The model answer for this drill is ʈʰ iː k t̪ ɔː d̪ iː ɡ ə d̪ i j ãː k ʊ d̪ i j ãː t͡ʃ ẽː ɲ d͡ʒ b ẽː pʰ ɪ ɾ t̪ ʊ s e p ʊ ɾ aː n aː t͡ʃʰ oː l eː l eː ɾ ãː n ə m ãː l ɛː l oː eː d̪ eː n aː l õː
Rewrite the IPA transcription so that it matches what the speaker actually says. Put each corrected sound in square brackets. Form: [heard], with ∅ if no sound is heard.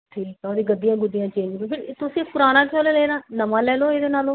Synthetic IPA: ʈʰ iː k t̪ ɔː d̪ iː ɡ ə d̪ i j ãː [ɡ] ʊ d̪ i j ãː t͡ʃ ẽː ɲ d͡ʒ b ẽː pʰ ɪ ɾ t̪ ʊ s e p ʊ ɾ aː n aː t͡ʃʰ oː l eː l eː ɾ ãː n ə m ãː l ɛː l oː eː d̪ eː n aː l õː